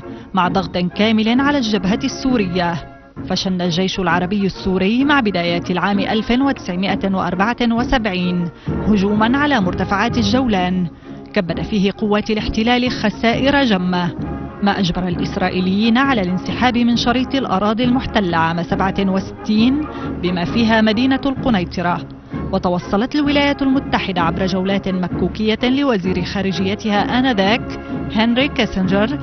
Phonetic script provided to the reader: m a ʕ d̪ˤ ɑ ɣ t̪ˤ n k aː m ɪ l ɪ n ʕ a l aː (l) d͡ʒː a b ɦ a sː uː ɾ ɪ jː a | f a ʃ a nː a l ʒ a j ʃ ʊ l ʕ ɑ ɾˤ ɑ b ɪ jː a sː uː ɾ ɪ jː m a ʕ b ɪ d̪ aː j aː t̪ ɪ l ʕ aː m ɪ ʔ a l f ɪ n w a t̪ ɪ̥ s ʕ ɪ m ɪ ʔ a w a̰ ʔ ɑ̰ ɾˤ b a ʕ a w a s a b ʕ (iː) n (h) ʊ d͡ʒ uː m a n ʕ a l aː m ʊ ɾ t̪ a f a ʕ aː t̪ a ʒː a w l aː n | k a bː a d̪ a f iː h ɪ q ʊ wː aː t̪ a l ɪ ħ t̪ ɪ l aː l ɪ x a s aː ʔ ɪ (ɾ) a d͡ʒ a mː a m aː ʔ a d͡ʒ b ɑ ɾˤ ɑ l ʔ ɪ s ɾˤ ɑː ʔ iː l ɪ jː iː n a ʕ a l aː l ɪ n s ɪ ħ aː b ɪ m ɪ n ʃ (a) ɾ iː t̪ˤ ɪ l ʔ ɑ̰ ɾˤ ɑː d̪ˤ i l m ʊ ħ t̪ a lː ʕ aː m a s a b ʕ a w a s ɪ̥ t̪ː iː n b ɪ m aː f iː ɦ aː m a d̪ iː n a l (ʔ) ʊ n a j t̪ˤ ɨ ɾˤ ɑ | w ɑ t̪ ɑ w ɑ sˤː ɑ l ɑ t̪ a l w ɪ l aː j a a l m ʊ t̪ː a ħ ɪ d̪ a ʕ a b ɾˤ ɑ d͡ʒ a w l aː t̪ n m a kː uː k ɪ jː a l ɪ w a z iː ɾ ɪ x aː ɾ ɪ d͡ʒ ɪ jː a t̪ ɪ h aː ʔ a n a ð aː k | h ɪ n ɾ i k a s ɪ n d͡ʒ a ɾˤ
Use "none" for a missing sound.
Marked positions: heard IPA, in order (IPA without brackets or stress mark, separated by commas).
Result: l, iː, h, ɾ, ɑ, q